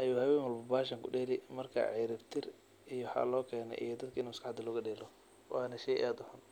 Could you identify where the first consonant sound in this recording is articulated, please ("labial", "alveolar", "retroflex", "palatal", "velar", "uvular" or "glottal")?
glottal